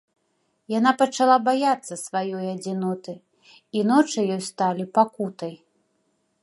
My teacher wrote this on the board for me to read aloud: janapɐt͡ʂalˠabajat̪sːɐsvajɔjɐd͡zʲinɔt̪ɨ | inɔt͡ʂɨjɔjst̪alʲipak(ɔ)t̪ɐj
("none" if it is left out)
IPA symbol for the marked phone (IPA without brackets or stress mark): u